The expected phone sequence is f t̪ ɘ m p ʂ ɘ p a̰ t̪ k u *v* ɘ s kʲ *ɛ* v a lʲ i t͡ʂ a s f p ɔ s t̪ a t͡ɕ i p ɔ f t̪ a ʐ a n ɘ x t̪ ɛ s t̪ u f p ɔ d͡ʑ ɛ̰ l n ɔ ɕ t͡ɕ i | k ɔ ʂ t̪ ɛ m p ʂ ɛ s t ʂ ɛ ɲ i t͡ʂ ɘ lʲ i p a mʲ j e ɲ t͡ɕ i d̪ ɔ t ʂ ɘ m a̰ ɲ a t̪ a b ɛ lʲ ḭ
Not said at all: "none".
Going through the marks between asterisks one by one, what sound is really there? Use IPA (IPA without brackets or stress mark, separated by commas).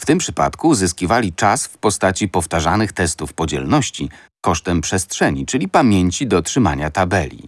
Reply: z, i